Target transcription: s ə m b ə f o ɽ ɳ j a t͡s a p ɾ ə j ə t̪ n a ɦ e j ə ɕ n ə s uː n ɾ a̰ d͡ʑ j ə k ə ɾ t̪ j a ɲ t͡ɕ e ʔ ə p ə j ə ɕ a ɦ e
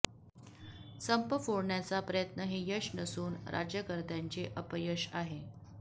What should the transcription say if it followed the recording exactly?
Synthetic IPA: s ə m p ə f o ɽ ɳ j a t͡s a p ɾ ə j ə t̪ n ə ɦ e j ə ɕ n ə s uː n ɾ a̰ d͡ʑ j ə k ə ɾ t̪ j a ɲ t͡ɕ e ʔ ə p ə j ə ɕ a ɦ e